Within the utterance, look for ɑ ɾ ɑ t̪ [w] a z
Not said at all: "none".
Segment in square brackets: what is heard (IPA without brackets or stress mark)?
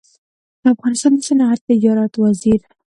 w